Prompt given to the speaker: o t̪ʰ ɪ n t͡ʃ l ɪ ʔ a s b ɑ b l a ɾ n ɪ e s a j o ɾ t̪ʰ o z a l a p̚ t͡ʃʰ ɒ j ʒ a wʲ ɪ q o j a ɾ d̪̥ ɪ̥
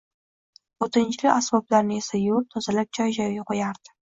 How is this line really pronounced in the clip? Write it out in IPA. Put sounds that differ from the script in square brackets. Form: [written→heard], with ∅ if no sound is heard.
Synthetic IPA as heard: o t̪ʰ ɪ n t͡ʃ l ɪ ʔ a s b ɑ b l a ɾ n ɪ e s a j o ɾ t̪ʰ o z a l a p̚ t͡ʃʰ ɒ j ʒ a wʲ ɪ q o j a ɾ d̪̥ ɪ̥